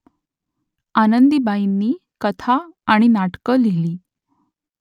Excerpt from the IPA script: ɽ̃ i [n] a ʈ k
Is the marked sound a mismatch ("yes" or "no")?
no